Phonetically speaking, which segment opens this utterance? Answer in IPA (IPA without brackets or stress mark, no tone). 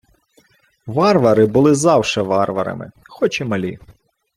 ʋ